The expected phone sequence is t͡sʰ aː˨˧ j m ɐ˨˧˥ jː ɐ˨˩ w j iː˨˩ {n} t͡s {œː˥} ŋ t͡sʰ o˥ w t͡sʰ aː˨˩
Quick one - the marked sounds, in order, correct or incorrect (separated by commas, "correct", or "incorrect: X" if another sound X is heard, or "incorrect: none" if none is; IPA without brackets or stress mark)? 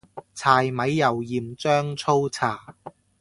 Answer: incorrect: m, correct